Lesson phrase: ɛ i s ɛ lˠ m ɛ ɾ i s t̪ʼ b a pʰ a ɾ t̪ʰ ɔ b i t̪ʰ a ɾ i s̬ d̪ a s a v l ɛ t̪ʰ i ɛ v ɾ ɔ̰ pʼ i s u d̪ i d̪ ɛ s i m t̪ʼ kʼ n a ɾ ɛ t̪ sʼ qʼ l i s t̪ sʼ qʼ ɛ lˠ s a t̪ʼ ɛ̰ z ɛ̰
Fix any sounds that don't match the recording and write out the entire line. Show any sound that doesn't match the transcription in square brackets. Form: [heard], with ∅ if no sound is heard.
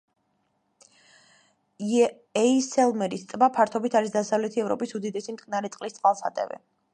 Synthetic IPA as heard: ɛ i s ɛ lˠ m ɛ ɾ i s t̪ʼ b a pʰ a ɾ t̪ʰ ɔ b i t̪ʰ a ɾ i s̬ d̪ a s a v l ɛ t̪ʰ i ɛ v ɾ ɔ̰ pʼ i s u d̪ i d̪ ɛ s i m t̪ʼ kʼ n a ɾ ɛ t̪ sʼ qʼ l i s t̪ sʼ qʼ [a] lˠ s a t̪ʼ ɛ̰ [v] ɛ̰

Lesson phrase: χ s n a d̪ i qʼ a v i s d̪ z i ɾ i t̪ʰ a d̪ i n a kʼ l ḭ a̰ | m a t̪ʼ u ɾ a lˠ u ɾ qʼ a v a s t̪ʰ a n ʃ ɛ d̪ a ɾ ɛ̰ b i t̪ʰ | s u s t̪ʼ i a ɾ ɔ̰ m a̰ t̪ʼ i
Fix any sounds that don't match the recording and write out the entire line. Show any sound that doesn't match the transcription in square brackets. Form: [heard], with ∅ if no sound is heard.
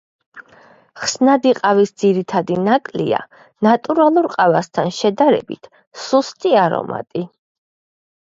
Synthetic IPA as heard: χ s n a d̪ i qʼ a v i s d̪ z i ɾ i t̪ʰ a d̪ i n a kʼ l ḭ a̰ | [n] a t̪ʼ u ɾ a lˠ u ɾ qʼ a v a s t̪ʰ a n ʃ ɛ d̪ a ɾ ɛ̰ b i t̪ʰ | s u s t̪ʼ i a ɾ ɔ̰ m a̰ t̪ʼ i

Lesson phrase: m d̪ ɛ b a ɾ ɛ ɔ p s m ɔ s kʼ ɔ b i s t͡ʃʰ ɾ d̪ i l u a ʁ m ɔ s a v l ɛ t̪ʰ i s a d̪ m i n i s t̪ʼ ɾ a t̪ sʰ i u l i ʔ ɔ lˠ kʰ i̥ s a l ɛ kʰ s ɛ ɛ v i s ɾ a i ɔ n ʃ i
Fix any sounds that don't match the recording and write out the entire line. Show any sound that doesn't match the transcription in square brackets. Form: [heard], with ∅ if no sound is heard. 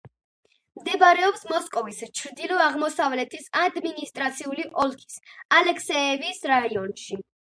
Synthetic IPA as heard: m d̪ ɛ b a ɾ ɛ ɔ p s m ɔ s kʼ ɔ [v] i s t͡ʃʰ ɾ d̪ i l [ɔ] a ʁ m ɔ s a v l ɛ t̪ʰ i s a d̪ m i n i s t̪ʼ ɾ a t̪ sʰ i u l i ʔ ɔ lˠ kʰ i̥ s a l ɛ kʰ s ɛ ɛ v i s ɾ a i ɔ n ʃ i

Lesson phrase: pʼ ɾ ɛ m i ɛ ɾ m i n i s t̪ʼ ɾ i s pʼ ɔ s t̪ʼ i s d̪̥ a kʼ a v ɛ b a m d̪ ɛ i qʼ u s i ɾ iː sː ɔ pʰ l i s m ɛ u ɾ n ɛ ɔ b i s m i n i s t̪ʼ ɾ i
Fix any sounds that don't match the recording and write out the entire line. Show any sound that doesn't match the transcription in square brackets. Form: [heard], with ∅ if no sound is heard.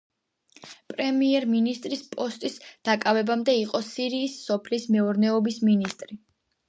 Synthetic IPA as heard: pʼ ɾ ɛ m i ɛ ɾ m i n i s t̪ʼ ɾ i s pʼ ɔ s t̪ʼ i s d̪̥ a kʼ a v ɛ b a m d̪ ɛ i qʼ [ɔ] s i ɾ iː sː ɔ pʰ l i s m ɛ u ɾ n ɛ ɔ b i s m i n i s t̪ʼ ɾ i

